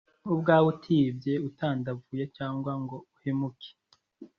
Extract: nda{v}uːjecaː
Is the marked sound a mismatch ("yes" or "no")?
no